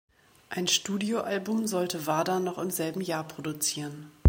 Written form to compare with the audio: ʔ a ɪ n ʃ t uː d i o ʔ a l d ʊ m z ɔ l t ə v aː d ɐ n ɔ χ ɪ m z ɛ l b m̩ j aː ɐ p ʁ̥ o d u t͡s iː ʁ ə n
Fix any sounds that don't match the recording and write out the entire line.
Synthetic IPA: ʔ a ɪ n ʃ t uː d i o ʔ a l b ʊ m z ɔ l t ə v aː d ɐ n ɔ χ ɪ m z ɛ l b m̩ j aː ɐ p ʁ̥ o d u t͡s iː ʁ ə n